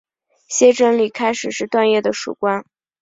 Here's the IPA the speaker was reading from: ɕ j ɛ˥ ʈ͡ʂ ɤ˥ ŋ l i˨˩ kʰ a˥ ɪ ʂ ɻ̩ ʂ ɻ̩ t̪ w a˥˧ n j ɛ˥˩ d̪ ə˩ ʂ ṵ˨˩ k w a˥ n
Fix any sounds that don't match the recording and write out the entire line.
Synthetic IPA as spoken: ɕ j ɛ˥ ʈ͡ʂ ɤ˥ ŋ l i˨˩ kʰ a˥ ɪ ʂ ɻ̩ ʂ ɻ̩ t̪ w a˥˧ n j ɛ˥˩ d̪ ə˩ ʂ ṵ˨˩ k w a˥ n